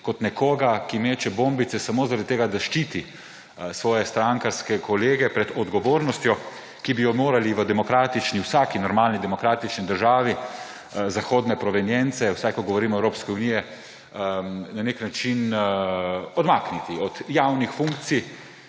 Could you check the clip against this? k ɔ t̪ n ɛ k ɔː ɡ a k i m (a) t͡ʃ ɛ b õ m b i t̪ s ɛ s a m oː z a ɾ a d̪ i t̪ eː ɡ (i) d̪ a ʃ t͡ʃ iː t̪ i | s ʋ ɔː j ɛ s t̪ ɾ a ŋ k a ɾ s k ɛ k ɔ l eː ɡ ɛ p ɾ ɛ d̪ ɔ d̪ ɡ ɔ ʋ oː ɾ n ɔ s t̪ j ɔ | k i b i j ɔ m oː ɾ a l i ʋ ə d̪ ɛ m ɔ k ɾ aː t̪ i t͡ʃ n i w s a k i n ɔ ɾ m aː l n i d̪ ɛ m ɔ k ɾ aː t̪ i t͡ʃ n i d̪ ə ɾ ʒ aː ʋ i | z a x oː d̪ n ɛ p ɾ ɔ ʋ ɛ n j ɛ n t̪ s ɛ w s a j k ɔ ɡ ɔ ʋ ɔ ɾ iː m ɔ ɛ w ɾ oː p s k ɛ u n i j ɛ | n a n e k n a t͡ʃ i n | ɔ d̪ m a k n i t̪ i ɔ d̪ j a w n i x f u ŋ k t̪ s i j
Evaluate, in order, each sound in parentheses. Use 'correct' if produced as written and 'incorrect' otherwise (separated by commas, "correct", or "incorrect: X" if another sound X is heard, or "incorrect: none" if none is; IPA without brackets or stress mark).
incorrect: e, incorrect: a